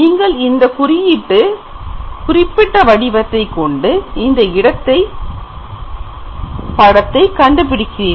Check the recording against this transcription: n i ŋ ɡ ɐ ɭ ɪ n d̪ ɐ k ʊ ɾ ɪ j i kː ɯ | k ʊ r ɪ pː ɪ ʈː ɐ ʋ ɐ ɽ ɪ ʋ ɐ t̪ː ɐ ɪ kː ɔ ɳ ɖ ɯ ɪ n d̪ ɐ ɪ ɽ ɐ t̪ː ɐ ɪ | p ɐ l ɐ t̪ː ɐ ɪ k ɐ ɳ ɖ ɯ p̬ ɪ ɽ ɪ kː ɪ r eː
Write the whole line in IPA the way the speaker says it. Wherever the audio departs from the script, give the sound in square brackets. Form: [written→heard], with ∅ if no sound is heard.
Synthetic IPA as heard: n [i→iː] ŋ ɡ ɐ ɭ ɪ n d̪ ɐ k ʊ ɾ ɪ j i [kː→ʈː] ɯ | k ʊ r ɪ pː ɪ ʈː ɐ ʋ ɐ ɽ ɪ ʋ ɐ t̪ː ɐ ɪ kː ɔ ɳ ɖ ɯ ɪ n d̪ ɐ ɪ ɽ ɐ t̪ː ɐ ɪ | p ɐ [l→ɽ] ɐ t̪ː ɐ ɪ k ɐ ɳ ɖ ɯ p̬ ɪ ɽ ɪ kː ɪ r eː